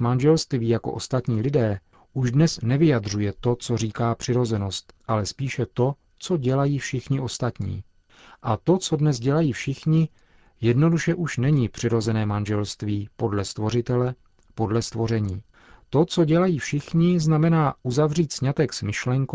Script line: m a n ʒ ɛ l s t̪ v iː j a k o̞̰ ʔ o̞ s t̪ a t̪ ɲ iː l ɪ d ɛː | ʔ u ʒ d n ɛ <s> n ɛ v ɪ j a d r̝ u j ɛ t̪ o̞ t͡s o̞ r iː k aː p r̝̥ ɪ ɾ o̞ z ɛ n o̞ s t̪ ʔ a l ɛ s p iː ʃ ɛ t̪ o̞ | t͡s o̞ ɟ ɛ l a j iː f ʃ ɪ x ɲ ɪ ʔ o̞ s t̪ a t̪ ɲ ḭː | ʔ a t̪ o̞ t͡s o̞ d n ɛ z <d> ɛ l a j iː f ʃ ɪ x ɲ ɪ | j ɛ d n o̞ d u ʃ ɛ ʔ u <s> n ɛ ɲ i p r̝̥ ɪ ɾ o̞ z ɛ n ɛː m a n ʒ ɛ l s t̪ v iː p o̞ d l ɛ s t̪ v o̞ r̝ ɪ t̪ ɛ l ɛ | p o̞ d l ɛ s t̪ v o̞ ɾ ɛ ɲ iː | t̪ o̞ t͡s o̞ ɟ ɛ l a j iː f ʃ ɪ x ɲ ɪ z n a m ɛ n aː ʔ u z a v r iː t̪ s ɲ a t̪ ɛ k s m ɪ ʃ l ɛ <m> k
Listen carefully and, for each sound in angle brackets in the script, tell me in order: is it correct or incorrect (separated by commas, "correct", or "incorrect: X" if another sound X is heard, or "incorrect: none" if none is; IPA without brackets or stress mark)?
correct, incorrect: ɟ, incorrect: ʃ, incorrect: ŋ